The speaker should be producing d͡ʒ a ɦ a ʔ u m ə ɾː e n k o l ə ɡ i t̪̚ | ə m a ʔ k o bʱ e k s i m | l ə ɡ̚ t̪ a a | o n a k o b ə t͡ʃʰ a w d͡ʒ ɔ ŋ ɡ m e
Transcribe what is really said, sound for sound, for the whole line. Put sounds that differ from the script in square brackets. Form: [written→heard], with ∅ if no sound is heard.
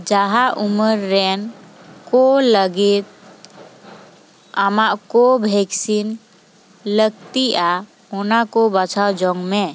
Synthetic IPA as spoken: d͡ʒ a ɦ a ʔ u m ə ɾː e n k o l ə ɡ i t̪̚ | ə m a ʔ k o bʱ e k s i [m→n] | l ə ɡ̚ t̪ [a→i] a | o n a k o b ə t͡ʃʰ a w d͡ʒ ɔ ŋ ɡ m e

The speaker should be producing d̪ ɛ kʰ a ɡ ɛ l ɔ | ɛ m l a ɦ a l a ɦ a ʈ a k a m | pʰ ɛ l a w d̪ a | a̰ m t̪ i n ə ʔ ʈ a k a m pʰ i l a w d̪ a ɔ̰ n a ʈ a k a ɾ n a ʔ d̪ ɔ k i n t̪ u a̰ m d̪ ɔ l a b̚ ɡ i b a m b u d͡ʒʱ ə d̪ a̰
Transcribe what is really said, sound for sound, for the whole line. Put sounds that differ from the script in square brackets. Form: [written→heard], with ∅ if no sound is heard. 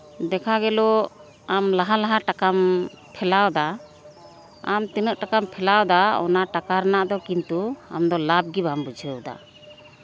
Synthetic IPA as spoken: d̪ ɛ kʰ a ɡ ɛ l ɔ | [ɛ→a] m l a ɦ a l a ɦ a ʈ a k a m | pʰ ɛ l a w d̪ a | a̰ m t̪ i n ə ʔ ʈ a k a m pʰ [i→ɛ] l a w d̪ a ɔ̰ n a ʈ a k a ɾ n a ʔ d̪ ɔ k i n t̪ u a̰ m d̪ ɔ l a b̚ ɡ i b a m b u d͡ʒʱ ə d̪ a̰

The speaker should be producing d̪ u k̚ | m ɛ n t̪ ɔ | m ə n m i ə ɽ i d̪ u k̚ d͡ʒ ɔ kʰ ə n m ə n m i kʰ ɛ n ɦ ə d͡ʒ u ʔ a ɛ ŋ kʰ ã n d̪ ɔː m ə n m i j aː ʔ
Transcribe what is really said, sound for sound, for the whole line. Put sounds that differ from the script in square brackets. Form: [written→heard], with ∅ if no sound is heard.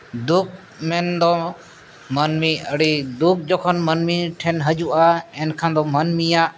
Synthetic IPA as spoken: d̪ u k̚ | m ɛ n [t̪→d̪] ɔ | m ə n m i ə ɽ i d̪ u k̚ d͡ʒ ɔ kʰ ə n m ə n m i [kʰ→ʈʰ] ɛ n ɦ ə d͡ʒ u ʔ a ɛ [ŋ→n] kʰ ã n d̪ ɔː m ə n m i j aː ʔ

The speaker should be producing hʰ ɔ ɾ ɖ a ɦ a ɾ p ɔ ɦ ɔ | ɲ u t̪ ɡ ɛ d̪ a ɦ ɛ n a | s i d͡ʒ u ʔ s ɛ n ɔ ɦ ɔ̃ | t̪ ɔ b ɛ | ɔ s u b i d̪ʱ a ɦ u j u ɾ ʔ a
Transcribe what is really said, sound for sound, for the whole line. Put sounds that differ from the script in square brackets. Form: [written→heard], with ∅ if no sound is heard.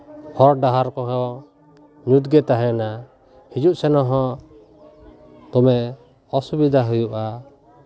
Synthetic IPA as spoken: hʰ ɔ ɾ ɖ a ɦ a ɾ [p→k] ɔ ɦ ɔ | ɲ u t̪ ɡ ɛ [d̪→t̪] a ɦ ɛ n a | [s→h] i d͡ʒ u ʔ s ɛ n ɔ ɦ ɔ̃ | t̪ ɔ [b→m] ɛ | ɔ s u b i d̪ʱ a ɦ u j u [ɾ→∅] ʔ a

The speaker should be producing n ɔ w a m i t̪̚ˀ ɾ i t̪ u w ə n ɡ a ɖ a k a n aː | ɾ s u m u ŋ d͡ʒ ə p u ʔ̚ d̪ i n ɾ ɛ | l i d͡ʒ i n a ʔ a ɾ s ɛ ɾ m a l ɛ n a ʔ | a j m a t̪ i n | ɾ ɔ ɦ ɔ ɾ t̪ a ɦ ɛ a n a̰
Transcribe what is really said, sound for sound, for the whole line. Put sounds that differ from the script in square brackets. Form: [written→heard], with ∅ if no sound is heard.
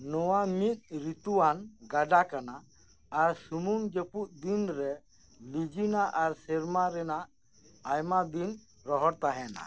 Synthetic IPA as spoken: n ɔ w a m i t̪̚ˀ ɾ i t̪ u w [ə→a] n ɡ a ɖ a k a n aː | ɾ s u m u ŋ d͡ʒ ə p u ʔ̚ d̪ i n ɾ ɛ | l i d͡ʒ i n a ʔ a ɾ s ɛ ɾ m a [l→ɾ] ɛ n a ʔ | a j m a [t̪→d̪] i n | ɾ ɔ ɦ ɔ ɾ t̪ a ɦ ɛ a n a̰

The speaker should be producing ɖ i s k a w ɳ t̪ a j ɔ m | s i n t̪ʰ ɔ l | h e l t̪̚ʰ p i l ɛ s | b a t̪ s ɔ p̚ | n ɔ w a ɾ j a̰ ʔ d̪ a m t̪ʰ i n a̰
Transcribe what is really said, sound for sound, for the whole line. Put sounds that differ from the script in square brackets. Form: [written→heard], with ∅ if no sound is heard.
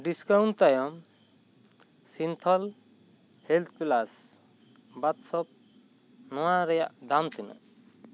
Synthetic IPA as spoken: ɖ i s k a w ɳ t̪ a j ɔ m | s i n t̪ʰ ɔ l | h e l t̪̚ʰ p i l [ɛ→a] s | b a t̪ s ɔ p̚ | n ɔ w a ɾ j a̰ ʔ d̪ a m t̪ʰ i n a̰

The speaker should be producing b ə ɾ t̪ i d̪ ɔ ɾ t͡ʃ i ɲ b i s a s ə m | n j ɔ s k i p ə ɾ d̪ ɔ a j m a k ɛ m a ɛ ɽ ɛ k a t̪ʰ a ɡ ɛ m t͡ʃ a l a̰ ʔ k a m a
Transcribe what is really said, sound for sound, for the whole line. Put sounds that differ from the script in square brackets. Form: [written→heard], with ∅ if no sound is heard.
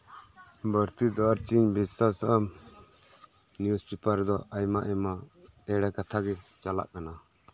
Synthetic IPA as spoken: b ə ɾ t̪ i d̪ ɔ ɾ t͡ʃ i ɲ b i s a s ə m | n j [ɔ→u] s [k→p] i p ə ɾ d̪ ɔ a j m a [k→ʔ] ɛ m a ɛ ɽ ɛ k a t̪ʰ a ɡ ɛ [m→∅] t͡ʃ a l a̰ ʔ k a [m→n] a

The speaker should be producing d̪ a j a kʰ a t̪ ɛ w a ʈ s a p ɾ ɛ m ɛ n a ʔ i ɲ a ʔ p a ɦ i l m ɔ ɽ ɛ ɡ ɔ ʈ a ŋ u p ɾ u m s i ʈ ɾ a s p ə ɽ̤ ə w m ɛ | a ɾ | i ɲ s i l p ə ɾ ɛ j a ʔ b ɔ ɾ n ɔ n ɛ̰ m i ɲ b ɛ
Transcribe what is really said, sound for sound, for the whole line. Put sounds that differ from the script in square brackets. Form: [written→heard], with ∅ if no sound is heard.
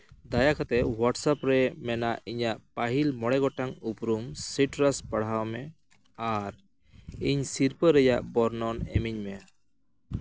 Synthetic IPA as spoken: d̪ a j a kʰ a t̪ ɛ w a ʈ s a p ɾ ɛ m ɛ n a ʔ i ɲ a ʔ p a ɦ i l m ɔ ɽ ɛ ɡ ɔ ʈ a ŋ u p ɾ u m s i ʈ ɾ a s p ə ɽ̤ [ə→a] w m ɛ | a ɾ | i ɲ s i [l→ɾ] p ə ɾ ɛ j a ʔ b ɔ ɾ n ɔ n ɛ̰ m i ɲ [b→m] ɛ

